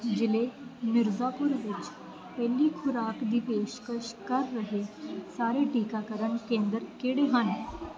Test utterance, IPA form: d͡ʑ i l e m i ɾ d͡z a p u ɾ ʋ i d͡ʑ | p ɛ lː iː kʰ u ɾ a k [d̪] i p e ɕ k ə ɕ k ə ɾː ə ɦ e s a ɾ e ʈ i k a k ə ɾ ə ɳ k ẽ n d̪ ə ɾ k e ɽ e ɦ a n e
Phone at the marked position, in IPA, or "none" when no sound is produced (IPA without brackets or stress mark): d̪